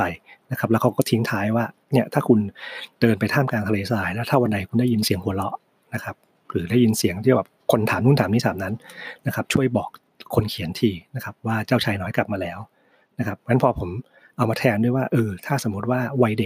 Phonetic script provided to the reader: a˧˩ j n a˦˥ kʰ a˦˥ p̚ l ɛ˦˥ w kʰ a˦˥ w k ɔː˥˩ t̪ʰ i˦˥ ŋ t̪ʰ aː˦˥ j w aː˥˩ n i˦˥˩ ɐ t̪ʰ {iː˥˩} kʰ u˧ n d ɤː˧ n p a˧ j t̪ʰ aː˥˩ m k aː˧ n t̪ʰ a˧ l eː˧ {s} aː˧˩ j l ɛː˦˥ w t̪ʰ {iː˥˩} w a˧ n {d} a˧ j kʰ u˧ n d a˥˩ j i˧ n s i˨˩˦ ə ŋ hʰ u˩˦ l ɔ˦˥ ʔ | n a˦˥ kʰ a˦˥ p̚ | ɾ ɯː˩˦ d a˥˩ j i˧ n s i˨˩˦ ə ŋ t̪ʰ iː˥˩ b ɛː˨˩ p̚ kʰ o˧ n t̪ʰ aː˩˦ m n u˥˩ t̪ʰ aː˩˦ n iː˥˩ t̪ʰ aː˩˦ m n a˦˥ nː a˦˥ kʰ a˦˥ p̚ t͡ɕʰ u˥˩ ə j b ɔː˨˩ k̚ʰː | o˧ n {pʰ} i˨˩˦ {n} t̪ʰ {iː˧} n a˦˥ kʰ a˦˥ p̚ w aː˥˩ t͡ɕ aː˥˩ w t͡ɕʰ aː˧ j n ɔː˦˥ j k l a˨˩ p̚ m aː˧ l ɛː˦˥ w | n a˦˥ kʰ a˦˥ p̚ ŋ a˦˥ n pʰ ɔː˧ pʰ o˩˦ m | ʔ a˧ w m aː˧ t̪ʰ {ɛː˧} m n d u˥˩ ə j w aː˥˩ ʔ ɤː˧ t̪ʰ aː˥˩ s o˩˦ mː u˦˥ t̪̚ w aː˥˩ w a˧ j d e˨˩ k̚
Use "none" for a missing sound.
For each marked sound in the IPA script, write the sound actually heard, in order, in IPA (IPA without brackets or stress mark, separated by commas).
aː˥˩, s, aː˥˩, d, kʰ, n, iː˧, ɛː˧